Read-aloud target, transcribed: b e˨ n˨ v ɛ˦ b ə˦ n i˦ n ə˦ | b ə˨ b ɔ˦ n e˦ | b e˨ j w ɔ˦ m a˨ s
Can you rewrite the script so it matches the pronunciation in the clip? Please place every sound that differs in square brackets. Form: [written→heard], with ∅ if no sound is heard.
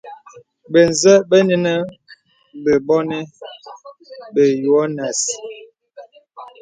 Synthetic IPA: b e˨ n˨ [v→z] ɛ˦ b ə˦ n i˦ n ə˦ | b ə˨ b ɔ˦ n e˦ | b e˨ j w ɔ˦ [m→n] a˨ s